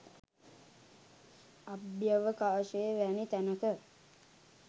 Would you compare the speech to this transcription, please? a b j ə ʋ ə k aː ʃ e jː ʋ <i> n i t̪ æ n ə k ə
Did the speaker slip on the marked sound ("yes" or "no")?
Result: yes